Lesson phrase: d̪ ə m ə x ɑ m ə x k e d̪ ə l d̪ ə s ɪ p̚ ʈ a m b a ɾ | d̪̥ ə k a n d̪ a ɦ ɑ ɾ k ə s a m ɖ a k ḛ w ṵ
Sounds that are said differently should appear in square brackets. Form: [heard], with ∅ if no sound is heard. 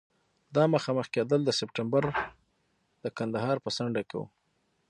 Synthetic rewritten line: d̪ [ɑ] m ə x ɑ m ə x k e d̪ ə l d̪ ə s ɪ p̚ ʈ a m b a ɾ | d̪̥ ə k a n d̪ a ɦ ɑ ɾ [p] ə s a [ɳ] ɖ a k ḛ w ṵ